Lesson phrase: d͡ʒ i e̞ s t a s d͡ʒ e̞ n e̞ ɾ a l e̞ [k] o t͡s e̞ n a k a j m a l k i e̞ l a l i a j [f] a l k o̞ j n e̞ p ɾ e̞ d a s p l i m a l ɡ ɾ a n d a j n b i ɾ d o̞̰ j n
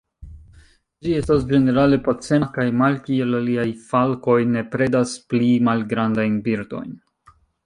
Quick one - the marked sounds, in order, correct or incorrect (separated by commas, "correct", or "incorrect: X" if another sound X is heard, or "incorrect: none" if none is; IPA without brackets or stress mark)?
incorrect: p, correct